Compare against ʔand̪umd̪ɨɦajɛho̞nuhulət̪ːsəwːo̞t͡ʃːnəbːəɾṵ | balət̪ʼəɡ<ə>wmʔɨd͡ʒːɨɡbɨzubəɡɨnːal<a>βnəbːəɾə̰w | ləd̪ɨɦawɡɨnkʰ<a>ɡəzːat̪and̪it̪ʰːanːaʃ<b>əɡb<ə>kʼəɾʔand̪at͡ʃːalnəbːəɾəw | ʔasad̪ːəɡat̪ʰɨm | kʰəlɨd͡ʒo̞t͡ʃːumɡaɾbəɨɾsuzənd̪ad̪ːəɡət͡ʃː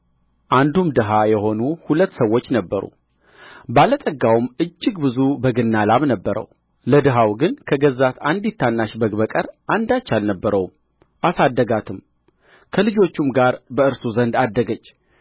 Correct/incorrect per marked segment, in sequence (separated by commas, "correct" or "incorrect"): incorrect, correct, incorrect, correct, correct